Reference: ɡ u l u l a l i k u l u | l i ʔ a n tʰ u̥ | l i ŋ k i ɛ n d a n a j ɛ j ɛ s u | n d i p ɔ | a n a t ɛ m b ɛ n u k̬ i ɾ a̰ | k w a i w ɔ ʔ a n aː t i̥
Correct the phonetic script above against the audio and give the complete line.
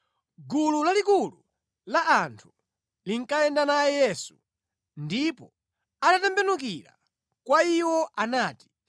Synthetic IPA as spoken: ɡ u l u l a l i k u l u | l a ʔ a n tʰ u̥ | l i ŋ k a ɛ n d a n a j ɛ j ɛ s u | n d i p ɔ | a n a t ɛ m b ɛ n u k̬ i ɾ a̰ | k w a i w ɔ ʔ a n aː t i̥